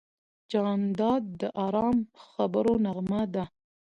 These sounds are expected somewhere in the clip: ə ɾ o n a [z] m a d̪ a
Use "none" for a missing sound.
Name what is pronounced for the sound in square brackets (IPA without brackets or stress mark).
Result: ɣ